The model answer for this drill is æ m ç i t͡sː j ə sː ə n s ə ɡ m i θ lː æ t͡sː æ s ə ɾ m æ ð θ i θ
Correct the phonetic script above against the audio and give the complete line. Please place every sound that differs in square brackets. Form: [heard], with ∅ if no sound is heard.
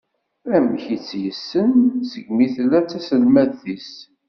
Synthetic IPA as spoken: æ m ç i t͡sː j ə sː ə n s ə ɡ m i θ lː æ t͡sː æ s ə [l] m æ ð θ i [s]